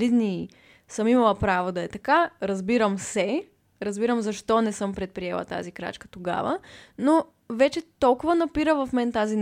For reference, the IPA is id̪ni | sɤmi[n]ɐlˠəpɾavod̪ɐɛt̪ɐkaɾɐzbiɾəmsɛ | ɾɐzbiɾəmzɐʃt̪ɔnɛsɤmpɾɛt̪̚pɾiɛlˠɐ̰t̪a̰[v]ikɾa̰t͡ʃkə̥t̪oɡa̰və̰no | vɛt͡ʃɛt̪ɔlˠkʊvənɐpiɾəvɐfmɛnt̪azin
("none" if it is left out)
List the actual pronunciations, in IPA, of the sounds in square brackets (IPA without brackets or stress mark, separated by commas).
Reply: m, z